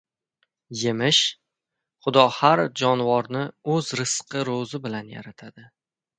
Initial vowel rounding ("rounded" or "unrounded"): unrounded